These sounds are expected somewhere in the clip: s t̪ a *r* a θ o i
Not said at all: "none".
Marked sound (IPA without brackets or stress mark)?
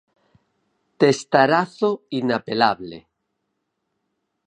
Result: ɾ